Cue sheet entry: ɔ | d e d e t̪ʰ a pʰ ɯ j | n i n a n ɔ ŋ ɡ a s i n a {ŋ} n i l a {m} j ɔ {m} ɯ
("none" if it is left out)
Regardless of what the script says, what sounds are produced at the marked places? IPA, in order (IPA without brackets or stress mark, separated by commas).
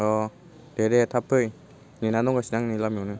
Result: ŋ, m, n